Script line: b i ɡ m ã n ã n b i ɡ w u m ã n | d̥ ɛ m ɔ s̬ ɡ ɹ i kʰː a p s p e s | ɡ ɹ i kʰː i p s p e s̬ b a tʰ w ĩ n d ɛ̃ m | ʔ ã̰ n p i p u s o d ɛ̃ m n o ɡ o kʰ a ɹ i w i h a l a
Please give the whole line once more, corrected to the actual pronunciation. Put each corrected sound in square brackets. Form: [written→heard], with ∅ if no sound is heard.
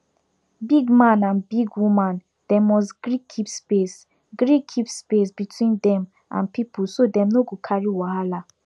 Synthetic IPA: b i ɡ m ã n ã n b i ɡ w u m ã n | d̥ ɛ m ɔ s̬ ɡ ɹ i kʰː [a→i] p s p e s | ɡ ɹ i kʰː i p s p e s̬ b [a→i] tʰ w ĩ n d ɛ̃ m | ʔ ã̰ n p i p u s o d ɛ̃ m n o ɡ o kʰ a ɹ i w [i→a] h a l a

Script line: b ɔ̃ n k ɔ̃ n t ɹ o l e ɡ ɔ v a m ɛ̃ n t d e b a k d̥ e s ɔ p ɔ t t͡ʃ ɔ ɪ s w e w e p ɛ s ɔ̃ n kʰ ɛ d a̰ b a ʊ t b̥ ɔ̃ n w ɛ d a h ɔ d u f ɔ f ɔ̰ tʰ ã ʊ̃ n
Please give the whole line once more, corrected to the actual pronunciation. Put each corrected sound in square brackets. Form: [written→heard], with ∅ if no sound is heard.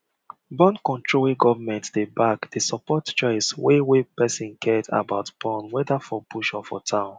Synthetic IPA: b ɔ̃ n k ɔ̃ n t ɹ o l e ɡ ɔ v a m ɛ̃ n t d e b a k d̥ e s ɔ p ɔ t t͡ʃ ɔ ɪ s w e w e p ɛ s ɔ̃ n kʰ ɛ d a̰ b a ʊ t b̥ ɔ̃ n w ɛ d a [h→f] ɔ [d→b] u [f→ʃ] ɔ f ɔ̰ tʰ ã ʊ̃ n

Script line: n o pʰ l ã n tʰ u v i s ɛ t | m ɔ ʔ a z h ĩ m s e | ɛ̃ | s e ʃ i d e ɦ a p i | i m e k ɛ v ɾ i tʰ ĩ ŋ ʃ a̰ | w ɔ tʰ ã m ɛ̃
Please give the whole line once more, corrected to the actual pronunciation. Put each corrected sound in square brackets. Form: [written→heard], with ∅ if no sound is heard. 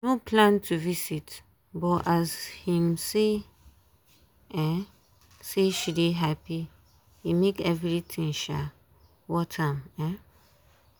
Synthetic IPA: n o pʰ l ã n tʰ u v i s [ɛ→i] t | [m→b] ɔ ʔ a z h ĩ m s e | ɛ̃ | s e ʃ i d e ɦ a p i | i m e k ɛ v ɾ i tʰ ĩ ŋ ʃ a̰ | w ɔ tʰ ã m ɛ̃

